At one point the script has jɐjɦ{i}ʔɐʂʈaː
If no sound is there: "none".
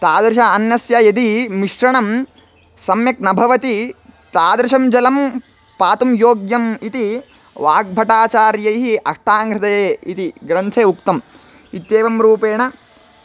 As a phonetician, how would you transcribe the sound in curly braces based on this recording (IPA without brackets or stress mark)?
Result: i